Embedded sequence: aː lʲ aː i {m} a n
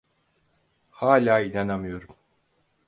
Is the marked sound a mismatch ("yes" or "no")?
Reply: yes